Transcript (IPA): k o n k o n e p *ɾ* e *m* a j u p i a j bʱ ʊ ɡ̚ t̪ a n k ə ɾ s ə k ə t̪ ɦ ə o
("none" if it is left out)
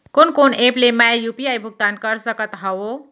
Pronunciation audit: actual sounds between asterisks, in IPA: l, m

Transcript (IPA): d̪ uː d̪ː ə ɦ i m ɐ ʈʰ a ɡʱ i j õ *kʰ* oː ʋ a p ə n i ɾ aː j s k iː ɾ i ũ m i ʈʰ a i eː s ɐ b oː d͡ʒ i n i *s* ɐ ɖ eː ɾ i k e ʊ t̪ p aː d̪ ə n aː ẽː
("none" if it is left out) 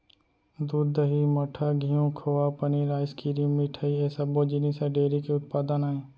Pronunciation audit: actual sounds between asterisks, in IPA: kʰ, s

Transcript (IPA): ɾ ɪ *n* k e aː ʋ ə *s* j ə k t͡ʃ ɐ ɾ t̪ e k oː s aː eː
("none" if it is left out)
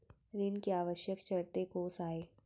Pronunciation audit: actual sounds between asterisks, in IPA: n, ʃ

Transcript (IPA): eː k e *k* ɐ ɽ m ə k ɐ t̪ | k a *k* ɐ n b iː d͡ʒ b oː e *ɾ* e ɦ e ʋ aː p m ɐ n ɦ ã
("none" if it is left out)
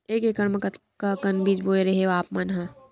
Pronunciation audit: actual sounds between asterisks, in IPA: k, k, ɾ

